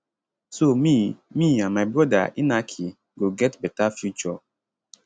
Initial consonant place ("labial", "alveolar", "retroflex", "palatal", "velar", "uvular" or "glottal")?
alveolar